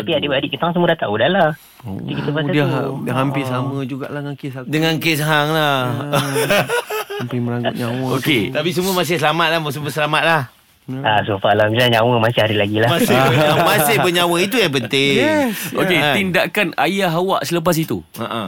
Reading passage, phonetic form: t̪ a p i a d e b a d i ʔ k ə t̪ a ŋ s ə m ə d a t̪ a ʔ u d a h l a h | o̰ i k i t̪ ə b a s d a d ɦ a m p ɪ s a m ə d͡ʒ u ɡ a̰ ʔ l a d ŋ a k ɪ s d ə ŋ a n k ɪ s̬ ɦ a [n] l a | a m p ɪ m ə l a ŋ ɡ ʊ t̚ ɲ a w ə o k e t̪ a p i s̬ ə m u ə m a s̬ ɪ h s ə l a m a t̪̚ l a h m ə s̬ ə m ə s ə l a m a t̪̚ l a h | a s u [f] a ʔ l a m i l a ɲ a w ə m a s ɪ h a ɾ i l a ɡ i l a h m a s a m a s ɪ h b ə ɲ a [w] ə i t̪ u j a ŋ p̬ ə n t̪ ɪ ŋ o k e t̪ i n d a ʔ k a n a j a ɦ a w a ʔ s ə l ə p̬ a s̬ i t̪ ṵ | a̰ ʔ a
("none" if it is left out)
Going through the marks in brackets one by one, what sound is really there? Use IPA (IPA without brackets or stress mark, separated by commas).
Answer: ŋ, f, w